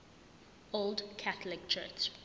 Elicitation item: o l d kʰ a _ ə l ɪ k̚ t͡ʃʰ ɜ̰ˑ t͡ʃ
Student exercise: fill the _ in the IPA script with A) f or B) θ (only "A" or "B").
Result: B